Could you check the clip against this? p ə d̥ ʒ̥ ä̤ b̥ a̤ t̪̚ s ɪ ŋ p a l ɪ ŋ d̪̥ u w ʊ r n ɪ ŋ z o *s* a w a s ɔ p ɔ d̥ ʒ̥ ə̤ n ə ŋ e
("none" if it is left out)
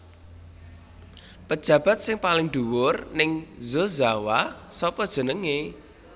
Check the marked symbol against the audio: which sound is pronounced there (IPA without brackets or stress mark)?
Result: z